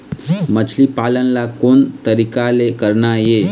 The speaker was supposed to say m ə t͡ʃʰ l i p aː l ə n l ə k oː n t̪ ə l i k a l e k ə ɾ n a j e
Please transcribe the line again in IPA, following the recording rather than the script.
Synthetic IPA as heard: m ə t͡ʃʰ l i p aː l ə n l a k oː n t̪ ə ɾ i k a l e k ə ɾ n a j e